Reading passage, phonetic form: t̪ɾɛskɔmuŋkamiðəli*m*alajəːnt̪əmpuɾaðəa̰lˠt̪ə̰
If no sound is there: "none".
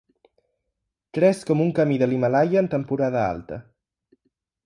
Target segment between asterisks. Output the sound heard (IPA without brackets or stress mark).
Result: m